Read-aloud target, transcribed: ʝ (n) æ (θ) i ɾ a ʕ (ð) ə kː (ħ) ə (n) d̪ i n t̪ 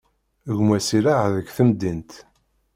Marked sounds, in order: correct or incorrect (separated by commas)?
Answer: incorrect, incorrect, correct, incorrect, incorrect